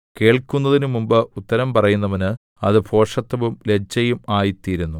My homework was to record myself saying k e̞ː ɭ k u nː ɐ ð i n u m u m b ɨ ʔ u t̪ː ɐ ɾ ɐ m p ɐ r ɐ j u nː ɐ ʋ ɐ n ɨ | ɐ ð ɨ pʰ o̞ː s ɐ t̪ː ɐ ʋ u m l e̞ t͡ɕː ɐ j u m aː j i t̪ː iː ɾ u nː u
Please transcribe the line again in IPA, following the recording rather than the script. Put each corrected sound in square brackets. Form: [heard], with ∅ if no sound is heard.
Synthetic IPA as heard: k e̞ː ɭ k u nː ɐ ð i n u m u m b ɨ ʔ u t̪ː ɐ ɾ ɐ m p ɐ r ɐ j u nː ɐ ʋ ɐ n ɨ | ɐ ð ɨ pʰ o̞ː [ʂ] ɐ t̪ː ɐ ʋ u m l e̞ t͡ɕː ɐ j u m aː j i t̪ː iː ɾ u nː u